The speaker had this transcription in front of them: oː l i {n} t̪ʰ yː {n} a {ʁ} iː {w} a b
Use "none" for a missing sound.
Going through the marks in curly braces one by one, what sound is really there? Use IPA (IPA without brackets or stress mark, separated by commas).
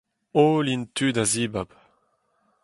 n, d, z, b